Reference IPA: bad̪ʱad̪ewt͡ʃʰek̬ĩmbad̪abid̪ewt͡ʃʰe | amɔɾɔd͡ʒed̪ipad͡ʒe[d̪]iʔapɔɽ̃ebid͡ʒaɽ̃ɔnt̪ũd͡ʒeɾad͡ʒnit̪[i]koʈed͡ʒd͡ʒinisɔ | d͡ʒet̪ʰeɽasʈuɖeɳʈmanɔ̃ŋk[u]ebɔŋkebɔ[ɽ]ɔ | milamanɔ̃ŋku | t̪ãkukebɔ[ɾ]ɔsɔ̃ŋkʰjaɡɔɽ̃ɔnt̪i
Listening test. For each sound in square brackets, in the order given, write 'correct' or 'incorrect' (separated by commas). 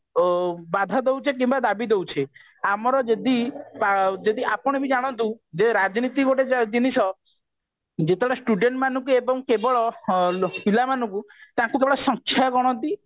correct, correct, correct, incorrect, incorrect